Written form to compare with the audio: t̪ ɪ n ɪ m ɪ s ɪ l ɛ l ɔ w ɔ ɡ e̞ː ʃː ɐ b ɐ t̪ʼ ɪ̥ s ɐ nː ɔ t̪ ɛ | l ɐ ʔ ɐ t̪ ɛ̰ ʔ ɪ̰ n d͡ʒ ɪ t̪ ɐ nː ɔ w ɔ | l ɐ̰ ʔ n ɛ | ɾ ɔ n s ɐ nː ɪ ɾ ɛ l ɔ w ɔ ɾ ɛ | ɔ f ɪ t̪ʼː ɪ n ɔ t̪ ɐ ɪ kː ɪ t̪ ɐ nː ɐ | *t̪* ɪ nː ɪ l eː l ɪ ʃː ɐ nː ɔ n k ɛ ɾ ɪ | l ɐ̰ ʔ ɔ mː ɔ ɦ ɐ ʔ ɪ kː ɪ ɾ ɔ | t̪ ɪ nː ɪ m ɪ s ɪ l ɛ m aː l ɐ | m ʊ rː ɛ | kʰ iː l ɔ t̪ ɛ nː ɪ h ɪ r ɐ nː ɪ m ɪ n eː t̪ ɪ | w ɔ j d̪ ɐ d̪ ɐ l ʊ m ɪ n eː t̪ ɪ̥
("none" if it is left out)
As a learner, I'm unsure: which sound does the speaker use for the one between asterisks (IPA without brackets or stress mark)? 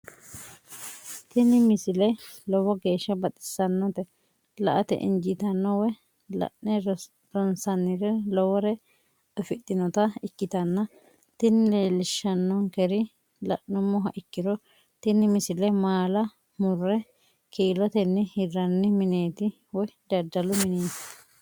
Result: t̪